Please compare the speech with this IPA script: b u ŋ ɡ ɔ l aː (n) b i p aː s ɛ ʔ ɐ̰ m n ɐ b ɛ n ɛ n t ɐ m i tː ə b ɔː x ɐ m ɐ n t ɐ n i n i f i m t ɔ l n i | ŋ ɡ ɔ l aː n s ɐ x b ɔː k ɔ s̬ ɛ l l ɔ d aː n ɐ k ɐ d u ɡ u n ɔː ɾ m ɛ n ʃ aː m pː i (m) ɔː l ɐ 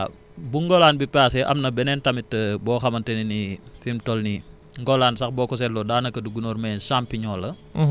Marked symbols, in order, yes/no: yes, no

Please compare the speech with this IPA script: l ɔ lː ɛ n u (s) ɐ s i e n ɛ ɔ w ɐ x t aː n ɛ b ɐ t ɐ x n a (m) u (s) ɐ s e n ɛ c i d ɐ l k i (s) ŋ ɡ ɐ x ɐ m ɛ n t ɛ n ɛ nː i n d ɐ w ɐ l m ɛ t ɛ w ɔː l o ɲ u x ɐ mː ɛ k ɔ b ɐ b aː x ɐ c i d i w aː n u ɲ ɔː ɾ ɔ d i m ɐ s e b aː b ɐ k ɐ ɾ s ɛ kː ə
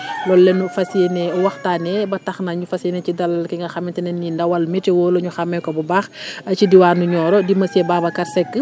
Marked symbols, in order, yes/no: no, no, no, no

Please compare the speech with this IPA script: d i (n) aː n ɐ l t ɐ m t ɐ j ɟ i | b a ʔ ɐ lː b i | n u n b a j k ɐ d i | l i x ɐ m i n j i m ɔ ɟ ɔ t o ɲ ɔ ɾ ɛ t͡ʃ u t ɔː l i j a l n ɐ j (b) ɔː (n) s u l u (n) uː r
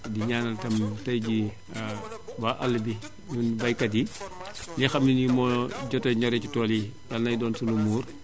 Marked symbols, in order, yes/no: no, no, yes, no

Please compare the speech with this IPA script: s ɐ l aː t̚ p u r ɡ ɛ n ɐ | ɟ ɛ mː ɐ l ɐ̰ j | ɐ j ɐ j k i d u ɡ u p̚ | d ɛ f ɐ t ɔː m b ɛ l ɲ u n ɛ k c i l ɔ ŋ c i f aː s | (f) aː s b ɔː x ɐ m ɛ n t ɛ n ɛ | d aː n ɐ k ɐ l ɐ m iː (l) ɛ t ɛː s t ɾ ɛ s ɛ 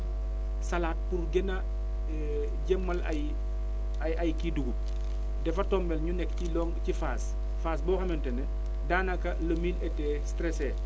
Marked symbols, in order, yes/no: yes, yes

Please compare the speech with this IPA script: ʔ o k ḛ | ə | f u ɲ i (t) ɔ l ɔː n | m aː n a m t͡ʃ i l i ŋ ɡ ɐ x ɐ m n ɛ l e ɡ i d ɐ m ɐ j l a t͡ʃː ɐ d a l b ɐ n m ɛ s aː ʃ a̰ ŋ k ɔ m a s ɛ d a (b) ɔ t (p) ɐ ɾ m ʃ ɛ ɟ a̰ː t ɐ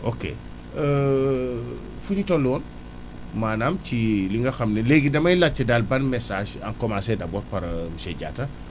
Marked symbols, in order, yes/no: yes, yes, yes

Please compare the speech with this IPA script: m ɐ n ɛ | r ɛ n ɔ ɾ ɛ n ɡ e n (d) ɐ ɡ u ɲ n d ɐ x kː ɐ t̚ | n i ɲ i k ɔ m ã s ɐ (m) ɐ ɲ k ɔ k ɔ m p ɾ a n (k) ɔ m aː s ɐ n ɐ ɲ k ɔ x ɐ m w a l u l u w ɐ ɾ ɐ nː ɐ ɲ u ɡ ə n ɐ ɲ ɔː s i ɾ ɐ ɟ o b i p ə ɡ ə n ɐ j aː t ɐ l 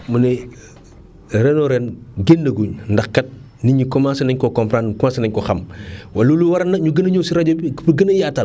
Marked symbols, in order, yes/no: yes, no, yes

